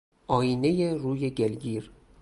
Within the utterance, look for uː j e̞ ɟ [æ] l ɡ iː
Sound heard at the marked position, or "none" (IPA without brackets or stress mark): e